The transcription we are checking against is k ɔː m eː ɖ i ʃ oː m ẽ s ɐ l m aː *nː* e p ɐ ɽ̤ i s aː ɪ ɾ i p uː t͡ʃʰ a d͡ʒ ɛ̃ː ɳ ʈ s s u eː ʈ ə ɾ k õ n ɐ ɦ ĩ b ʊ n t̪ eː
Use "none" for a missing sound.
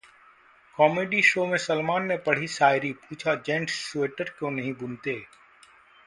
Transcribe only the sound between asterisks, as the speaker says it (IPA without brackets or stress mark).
nː